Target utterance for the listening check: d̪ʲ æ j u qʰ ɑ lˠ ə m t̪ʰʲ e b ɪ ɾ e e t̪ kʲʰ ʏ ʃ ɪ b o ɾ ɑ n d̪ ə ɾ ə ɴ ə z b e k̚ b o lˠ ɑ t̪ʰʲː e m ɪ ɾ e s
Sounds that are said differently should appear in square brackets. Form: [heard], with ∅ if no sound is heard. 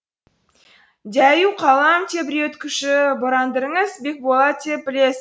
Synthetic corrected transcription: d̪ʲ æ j u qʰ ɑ lˠ [ɑ] m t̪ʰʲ e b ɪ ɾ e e t̪ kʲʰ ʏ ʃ ɪ b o ɾ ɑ n d̪ ə ɾ ə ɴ ə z b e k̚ b o lˠ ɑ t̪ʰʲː e [b] ɪ [l] e s